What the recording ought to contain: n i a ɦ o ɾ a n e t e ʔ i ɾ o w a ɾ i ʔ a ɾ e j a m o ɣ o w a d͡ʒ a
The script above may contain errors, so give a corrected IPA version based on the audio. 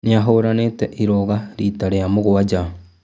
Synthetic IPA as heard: n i a ɦ o ɾ a n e t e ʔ i ɾ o ɣ a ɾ i t a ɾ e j a m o ɣ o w a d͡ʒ a